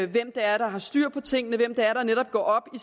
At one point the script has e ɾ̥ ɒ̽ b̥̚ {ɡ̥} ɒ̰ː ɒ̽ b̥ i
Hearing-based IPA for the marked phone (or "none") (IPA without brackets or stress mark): ɡ̥